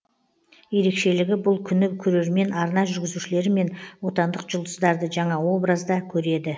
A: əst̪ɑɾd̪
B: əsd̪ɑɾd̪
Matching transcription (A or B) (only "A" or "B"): B